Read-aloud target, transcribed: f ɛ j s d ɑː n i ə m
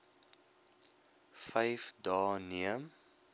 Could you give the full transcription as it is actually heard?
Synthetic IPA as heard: f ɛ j f d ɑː n i ə m